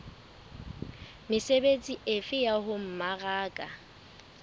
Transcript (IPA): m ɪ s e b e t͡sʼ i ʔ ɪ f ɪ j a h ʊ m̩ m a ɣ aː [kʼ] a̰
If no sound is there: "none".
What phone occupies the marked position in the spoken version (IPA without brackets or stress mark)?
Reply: kʼ